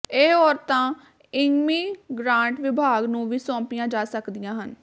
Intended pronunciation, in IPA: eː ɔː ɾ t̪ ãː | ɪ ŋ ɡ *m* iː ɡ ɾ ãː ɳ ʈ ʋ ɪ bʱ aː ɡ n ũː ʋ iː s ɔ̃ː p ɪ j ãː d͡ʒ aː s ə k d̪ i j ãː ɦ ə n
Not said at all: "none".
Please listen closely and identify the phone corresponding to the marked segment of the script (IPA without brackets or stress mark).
m